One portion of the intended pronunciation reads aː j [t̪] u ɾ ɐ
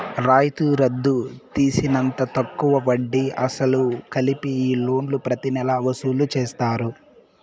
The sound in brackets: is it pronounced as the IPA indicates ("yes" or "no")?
yes